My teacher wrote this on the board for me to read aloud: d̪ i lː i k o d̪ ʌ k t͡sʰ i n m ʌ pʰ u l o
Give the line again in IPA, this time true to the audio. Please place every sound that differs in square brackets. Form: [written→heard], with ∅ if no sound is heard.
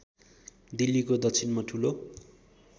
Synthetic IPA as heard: d̪ i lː i k o d̪ ʌ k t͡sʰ i n m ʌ [pʰ→ʈʰ] u l o